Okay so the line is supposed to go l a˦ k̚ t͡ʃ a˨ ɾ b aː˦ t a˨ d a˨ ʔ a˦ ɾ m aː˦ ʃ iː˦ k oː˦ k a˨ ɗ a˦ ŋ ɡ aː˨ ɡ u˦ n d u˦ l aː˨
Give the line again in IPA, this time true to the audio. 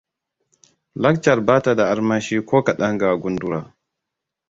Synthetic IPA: l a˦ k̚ t͡ʃ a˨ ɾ b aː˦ t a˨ d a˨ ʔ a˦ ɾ m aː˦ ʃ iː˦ k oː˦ k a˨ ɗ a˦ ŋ ɡ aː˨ ɡ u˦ n d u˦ ɾ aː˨